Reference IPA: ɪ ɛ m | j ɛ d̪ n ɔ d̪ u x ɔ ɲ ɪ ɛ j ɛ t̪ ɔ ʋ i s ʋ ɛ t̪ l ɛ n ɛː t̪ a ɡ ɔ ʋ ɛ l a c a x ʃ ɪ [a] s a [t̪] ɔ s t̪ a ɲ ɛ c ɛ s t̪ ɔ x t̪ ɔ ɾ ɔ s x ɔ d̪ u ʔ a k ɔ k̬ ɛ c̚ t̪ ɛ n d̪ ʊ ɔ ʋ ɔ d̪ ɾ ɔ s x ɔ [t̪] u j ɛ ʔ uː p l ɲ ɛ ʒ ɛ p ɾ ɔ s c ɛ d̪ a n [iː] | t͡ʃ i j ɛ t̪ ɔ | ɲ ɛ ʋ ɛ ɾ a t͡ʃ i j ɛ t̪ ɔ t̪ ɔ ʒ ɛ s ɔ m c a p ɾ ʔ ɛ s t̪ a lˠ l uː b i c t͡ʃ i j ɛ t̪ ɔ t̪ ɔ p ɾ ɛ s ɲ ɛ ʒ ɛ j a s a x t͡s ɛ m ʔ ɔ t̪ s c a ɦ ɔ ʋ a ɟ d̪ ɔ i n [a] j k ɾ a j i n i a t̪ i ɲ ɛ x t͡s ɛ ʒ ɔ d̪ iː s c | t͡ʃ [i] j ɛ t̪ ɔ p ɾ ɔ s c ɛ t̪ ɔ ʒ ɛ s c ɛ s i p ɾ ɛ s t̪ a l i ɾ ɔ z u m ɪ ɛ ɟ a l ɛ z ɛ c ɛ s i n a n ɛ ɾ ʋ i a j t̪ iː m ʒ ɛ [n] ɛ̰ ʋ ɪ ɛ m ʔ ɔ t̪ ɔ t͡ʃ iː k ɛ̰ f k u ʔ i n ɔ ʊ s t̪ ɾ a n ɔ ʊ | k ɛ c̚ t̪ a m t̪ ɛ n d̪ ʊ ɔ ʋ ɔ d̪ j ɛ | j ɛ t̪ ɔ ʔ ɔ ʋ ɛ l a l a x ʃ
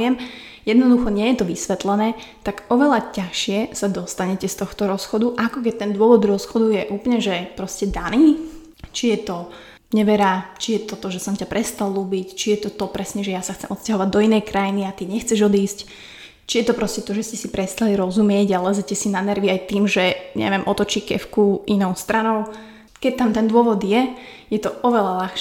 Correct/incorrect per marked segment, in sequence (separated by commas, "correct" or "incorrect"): incorrect, incorrect, incorrect, correct, incorrect, correct, incorrect